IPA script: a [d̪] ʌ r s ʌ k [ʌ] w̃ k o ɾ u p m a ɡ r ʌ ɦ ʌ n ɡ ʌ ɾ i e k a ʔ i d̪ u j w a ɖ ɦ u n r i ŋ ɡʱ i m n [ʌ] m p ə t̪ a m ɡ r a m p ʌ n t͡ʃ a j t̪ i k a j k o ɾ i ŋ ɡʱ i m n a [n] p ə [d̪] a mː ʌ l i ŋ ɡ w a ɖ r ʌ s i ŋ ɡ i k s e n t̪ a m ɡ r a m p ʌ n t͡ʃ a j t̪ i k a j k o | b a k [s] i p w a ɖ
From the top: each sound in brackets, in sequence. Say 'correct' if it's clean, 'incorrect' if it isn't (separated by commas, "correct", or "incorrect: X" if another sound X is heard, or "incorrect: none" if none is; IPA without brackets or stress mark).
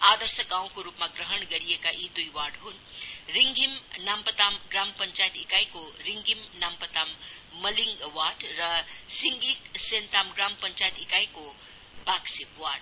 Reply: correct, incorrect: a, incorrect: a, incorrect: m, incorrect: t̪, correct